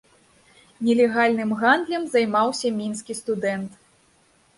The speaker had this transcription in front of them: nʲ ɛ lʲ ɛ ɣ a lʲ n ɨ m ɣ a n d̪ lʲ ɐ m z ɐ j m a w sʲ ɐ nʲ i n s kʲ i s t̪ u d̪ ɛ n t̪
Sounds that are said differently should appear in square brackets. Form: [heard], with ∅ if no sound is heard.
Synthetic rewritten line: nʲ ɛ lʲ ɛ ɣ a lʲ n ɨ m ɣ a n d̪ lʲ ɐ m z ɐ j m a w sʲ ɐ [mʲ] i n s kʲ i s t̪ u d̪ ɛ n t̪